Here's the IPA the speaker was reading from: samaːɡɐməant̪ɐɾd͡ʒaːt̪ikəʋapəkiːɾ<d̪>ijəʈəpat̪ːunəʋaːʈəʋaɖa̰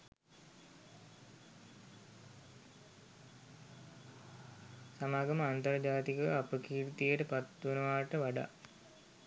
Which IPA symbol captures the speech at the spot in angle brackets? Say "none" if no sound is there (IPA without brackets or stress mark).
t̪